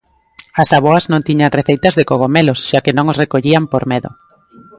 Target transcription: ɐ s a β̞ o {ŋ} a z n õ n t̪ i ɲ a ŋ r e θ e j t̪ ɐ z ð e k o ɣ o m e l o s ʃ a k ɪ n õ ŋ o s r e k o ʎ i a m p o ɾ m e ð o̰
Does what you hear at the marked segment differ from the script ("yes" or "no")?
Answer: yes